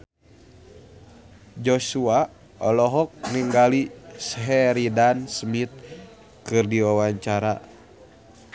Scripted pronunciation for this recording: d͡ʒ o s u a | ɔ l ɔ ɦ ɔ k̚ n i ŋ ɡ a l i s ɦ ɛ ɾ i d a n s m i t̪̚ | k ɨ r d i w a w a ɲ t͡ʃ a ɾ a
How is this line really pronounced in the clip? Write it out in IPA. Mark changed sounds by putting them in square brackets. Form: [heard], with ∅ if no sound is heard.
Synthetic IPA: d͡ʒ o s u a | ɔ l ɔ ɦ ɔ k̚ n i ŋ ɡ a l i s ɦ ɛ ɾ i d a n s m i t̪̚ | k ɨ r d i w a w a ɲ t͡ʃ a ɾ a